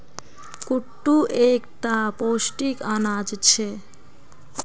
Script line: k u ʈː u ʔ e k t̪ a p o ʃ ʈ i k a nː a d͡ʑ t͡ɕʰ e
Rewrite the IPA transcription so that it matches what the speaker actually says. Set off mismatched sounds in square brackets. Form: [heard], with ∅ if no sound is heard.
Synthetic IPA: k u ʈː u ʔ e k t̪ a p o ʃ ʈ i k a [n] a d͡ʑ t͡ɕʰ e

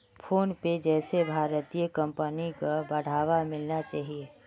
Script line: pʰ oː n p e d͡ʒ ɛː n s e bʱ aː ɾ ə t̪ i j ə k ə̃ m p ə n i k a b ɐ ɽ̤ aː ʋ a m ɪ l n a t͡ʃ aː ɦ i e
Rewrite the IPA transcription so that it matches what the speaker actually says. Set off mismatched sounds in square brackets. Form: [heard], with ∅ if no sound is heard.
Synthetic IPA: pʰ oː n p e d͡ʒ ɛː [∅] s e bʱ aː ɾ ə t̪ i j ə k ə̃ m p ə n i k a b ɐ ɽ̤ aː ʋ a m ɪ l n a t͡ʃ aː ɦ i e

